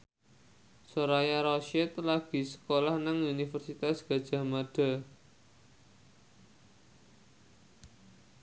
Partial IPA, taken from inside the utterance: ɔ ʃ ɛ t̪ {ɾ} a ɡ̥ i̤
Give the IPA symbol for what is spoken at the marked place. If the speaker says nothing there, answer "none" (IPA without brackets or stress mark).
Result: l